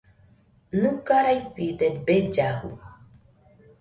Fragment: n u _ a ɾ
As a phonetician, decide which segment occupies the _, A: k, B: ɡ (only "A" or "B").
A